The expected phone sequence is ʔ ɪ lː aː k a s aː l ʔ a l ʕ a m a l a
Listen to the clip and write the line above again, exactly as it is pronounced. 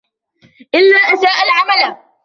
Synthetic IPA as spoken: ʔ ɪ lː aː ʔ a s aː ʔ a l ʕ a m a l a